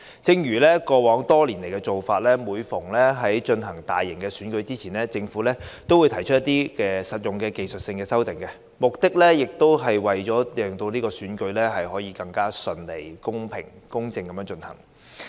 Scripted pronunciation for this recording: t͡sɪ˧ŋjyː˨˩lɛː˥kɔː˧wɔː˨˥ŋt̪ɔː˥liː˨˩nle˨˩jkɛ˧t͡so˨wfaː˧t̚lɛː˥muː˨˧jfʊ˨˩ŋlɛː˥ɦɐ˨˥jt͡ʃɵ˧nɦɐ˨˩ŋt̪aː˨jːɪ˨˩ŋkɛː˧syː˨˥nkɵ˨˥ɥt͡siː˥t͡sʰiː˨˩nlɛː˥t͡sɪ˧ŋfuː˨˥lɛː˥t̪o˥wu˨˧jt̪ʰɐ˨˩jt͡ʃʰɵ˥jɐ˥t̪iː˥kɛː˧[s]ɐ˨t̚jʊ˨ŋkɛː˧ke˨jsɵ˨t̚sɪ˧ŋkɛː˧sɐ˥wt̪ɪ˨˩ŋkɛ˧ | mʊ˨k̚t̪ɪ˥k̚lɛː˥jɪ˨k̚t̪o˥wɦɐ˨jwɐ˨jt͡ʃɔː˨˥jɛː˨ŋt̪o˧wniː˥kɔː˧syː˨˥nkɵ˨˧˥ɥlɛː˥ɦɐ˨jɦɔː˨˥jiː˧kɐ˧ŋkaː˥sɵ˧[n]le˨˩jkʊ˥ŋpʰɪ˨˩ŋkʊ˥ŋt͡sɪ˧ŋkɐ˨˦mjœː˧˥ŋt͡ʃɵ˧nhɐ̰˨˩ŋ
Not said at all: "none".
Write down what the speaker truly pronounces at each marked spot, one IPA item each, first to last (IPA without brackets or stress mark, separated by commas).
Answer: s, n